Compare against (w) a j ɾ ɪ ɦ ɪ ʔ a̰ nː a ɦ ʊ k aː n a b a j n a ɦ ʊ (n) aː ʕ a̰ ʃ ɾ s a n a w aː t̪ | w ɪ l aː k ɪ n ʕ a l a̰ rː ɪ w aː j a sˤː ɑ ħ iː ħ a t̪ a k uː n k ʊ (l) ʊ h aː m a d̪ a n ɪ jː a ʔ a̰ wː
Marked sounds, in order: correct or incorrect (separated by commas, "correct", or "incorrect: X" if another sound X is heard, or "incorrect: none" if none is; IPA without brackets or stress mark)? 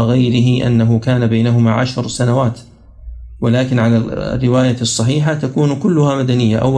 incorrect: ɣ, incorrect: m, incorrect: lː